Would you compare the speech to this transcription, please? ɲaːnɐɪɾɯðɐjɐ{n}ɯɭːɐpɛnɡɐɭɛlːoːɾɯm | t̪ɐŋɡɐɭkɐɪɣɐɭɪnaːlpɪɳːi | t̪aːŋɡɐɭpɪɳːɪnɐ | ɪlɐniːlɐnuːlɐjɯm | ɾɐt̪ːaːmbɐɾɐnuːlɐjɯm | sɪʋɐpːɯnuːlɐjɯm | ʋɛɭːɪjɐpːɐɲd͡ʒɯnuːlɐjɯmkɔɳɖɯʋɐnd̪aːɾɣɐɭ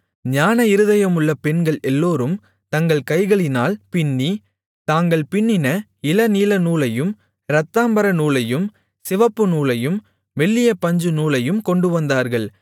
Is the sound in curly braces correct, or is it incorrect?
incorrect